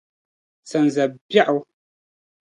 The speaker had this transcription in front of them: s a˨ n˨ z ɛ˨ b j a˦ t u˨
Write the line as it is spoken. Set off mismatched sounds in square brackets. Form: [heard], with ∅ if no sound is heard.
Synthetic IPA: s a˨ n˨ z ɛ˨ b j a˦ [ʔ] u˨